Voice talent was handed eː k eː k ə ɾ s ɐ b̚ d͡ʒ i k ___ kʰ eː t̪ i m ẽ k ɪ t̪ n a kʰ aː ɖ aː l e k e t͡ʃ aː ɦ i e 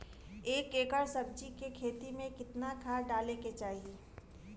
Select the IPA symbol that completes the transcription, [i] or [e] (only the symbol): e